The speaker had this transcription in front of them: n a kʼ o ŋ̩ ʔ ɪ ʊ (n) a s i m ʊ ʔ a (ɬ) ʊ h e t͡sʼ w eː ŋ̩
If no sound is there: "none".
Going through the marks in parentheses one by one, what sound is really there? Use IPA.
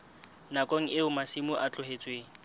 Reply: m, t͡ɬ

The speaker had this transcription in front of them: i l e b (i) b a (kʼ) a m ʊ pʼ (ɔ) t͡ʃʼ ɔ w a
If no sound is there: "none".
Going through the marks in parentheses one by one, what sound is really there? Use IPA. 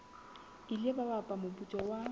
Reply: a, pʼ, u

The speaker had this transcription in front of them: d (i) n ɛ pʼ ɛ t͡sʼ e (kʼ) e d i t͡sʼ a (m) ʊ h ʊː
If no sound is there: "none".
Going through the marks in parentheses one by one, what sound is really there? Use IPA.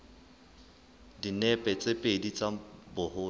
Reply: i, pʼ, b

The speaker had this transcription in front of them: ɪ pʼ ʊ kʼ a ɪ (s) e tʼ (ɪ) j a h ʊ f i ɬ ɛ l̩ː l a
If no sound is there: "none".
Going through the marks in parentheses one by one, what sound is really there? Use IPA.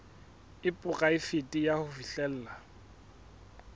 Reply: f, i

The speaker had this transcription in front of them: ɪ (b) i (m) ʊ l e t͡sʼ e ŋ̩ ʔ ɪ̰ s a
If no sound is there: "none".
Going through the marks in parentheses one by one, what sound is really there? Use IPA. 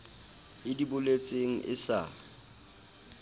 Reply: d, b

